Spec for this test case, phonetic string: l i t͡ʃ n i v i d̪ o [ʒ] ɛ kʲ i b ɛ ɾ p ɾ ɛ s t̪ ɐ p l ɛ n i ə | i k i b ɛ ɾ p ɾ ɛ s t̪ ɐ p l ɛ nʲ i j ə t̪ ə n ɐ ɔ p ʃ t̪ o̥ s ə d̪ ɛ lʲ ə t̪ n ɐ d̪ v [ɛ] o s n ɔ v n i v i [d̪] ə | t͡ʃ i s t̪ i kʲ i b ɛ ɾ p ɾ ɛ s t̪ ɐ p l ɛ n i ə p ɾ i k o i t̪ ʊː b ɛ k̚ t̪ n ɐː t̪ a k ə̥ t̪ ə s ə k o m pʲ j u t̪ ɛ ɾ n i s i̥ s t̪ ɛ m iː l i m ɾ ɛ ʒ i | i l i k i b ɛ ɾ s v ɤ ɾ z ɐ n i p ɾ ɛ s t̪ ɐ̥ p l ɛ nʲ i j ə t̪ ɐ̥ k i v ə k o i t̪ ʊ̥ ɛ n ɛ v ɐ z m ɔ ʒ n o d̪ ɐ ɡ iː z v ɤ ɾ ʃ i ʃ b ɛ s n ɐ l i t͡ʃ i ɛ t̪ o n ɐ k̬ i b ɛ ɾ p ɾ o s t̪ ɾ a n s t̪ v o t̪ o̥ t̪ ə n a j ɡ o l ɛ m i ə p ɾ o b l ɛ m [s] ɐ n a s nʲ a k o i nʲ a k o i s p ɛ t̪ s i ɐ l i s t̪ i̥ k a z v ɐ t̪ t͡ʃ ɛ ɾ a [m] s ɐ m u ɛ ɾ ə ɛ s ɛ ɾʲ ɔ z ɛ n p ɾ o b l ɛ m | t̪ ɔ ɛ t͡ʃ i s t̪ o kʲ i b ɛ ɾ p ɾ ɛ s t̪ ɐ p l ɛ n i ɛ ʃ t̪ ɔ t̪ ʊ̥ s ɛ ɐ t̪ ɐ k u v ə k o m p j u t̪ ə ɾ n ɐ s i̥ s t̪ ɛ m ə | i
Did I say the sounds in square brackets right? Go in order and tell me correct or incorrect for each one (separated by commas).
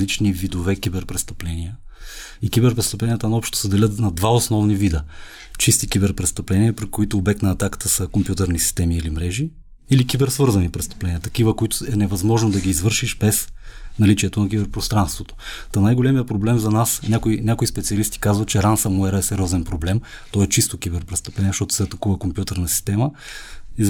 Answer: incorrect, incorrect, correct, incorrect, incorrect